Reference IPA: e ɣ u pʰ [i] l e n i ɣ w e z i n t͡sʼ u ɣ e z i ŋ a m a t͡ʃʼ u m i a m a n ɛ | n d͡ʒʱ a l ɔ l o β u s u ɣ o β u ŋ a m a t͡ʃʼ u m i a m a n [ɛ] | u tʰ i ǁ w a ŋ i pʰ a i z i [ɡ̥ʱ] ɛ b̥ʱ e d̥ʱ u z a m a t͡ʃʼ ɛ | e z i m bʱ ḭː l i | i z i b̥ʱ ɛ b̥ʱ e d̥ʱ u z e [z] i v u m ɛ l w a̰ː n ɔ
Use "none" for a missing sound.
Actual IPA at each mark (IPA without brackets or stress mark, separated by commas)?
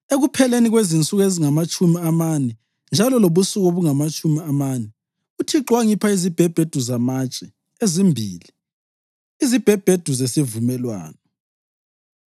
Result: ɛ, ɛ, b̥ʱ, s